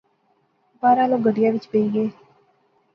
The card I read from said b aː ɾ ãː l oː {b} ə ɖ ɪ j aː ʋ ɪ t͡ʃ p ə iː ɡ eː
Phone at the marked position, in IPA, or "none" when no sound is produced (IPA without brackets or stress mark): ɡ